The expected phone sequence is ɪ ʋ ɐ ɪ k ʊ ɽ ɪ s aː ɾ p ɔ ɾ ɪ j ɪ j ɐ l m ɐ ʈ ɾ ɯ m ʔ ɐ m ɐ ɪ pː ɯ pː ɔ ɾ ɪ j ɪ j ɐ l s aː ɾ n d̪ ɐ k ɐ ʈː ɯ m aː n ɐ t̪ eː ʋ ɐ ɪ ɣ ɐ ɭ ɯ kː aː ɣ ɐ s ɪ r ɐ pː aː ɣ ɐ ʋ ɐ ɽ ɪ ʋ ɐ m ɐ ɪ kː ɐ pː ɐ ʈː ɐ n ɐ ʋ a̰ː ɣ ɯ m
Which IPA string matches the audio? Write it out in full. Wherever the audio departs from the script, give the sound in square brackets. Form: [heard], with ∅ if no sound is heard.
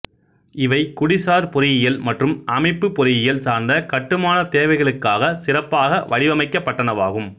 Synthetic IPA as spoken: ɪ ʋ ɐ ɪ k ʊ ɽ ɪ s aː ɾ p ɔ ɾ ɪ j ɪ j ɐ l m ɐ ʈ [r] ɯ m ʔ ɐ m ɐ ɪ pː ɯ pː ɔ ɾ ɪ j ɪ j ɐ l s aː ɾ n d̪ ɐ k ɐ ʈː ɯ m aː n ɐ t̪ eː ʋ ɐ ɪ ɣ ɐ ɭ ɯ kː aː ɣ ɐ s ɪ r ɐ pː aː ɣ ɐ ʋ ɐ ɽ ɪ ʋ ɐ m ɐ ɪ kː ɐ pː ɐ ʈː ɐ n ɐ ʋ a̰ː ɣ ɯ m